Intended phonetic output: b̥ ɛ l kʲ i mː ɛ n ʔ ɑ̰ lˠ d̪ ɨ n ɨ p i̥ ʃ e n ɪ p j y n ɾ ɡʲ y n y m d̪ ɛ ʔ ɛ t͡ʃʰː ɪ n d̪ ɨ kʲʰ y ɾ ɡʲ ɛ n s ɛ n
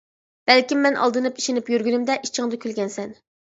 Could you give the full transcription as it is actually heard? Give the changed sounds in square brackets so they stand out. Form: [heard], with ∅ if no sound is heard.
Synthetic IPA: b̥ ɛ l kʲ i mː ɛ n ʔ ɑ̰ lˠ d̪ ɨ n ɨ p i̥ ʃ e n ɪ p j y [∅] ɾ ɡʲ y n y m d̪ ɛ ʔ [i] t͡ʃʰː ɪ [ŋ] d̪ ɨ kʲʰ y [l] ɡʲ ɛ n s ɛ n